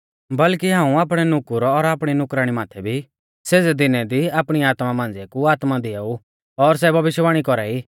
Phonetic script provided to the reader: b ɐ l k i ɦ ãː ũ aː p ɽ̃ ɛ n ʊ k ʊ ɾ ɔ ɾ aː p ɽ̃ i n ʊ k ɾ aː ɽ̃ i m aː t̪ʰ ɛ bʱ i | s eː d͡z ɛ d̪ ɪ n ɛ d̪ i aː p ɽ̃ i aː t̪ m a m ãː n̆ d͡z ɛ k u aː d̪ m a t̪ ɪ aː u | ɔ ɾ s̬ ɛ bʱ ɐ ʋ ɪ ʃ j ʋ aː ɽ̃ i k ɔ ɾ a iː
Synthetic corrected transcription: b ɐ l k i ɦ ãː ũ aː p ɽ̃ ɛ n ʊ k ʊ ɾ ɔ ɾ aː p ɽ̃ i n ʊ k ɾ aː ɽ̃ i m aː t̪ʰ ɛ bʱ i | s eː d͡z ɛ d̪ ɪ n ɛ d̪ i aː p ɽ̃ i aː t̪ m a m ãː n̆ d͡z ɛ k u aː t̪ m a d̪ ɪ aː u | ɔ ɾ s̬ ɛ bʱ ɐ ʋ ɪ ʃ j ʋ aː ɽ̃ i k ɔ ɾ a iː